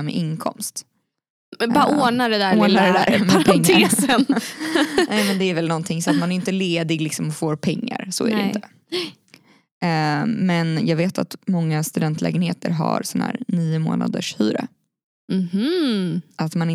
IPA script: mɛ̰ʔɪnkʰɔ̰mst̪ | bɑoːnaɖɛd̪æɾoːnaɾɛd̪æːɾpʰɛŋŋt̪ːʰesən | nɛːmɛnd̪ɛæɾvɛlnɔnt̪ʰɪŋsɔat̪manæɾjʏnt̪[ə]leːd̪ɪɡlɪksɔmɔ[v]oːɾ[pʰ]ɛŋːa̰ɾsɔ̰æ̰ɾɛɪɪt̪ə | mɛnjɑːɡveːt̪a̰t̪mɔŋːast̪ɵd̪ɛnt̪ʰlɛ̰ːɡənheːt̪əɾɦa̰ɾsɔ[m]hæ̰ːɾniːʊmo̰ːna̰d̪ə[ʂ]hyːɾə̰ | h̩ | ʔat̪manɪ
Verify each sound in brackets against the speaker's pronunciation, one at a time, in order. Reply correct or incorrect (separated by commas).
correct, incorrect, correct, incorrect, correct